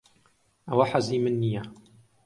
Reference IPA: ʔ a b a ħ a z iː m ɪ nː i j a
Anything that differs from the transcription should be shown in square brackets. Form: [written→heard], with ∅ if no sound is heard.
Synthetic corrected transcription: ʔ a [b→w] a ħ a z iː m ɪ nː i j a